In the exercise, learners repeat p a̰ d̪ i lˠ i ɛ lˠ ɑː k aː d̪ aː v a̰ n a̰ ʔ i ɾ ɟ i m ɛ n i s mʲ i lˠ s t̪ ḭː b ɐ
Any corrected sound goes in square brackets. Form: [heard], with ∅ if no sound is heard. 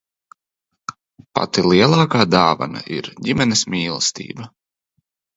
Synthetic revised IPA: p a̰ [t̪] i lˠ i ɛ lˠ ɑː k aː d̪ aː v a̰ n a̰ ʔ i ɾ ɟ i m ɛ n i s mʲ [iː] lˠ s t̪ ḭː b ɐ